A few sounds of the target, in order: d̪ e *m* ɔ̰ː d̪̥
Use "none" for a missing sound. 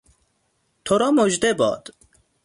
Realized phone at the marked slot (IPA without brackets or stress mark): b